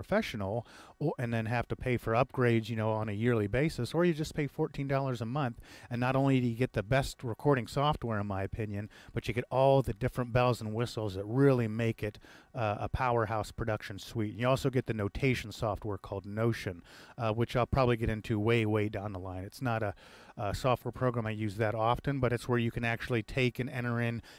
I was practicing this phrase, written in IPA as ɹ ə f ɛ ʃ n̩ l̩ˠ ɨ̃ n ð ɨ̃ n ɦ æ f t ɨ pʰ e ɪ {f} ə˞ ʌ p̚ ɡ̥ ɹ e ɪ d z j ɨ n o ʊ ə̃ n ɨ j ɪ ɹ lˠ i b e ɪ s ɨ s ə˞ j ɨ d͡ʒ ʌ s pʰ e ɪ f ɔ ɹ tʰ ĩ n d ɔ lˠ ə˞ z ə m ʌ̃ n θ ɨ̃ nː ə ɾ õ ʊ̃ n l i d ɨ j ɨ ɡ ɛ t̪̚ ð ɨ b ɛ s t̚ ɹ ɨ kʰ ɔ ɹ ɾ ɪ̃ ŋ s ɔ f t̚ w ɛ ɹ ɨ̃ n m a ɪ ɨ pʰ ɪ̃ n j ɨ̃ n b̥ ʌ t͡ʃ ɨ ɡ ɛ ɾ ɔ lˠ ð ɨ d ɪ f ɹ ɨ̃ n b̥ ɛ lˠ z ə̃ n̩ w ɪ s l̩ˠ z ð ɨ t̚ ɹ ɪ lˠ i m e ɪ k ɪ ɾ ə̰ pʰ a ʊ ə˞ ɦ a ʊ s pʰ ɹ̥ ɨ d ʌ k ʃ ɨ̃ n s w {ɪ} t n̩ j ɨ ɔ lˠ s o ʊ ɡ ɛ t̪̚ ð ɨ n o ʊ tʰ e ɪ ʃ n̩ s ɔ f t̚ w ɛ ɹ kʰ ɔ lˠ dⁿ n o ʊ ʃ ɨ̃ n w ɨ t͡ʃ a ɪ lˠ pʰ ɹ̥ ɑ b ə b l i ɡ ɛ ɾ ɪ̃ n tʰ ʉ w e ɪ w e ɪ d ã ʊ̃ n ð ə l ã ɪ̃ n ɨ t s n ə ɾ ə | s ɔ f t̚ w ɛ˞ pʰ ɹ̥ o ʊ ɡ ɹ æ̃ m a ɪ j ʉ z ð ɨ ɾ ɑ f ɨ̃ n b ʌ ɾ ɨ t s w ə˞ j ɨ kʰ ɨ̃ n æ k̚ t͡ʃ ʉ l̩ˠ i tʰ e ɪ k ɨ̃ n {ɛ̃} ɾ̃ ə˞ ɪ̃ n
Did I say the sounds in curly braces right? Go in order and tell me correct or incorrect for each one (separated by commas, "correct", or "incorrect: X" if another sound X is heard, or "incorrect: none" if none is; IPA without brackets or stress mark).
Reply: correct, incorrect: i, correct